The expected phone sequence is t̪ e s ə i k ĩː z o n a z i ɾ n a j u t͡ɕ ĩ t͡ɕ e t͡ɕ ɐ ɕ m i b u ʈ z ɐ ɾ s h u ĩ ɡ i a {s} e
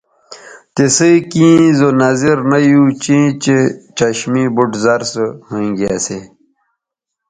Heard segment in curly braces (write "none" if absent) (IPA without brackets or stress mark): s